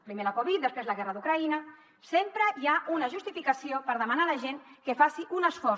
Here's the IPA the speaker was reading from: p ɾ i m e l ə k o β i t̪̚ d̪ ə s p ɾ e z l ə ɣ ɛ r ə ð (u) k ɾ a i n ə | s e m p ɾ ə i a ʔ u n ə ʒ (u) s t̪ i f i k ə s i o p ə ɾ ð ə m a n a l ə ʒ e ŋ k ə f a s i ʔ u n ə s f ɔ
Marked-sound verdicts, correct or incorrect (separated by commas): correct, correct